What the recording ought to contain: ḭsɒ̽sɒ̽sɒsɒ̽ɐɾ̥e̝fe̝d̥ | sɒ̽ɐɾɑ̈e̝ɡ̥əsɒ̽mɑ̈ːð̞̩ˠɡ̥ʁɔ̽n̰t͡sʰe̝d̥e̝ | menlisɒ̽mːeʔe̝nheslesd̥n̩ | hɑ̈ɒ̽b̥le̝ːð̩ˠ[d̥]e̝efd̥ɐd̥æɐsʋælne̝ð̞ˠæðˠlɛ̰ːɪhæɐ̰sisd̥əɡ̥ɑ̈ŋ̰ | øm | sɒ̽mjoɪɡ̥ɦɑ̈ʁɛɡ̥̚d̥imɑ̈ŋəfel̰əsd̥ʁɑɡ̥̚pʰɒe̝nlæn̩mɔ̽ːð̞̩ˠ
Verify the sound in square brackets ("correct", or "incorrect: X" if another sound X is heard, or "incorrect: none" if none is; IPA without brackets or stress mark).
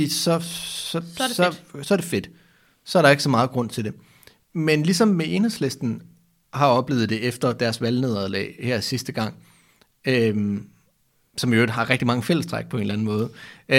correct